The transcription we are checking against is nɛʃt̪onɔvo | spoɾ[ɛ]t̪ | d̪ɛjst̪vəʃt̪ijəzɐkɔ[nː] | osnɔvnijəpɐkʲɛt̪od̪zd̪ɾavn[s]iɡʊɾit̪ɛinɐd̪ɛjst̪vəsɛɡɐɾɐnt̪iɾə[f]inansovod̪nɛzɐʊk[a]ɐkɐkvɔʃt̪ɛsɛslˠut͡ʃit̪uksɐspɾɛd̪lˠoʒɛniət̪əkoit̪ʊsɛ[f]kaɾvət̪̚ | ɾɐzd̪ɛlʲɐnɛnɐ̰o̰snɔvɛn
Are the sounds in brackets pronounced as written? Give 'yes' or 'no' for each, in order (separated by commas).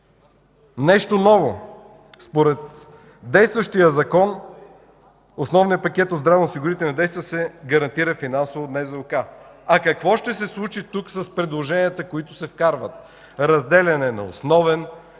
yes, no, yes, yes, yes, yes